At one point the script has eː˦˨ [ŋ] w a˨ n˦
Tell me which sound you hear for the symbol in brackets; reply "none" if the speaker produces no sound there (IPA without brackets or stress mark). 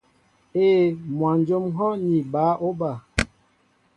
m